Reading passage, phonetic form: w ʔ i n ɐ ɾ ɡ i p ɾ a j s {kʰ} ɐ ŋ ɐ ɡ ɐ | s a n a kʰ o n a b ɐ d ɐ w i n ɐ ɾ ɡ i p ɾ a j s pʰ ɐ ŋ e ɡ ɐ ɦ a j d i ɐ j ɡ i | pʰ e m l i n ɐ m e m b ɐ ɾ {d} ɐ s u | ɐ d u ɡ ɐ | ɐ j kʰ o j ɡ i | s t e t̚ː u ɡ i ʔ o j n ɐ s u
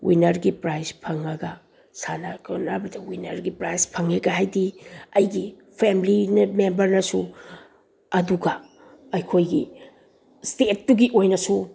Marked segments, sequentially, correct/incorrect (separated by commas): incorrect, incorrect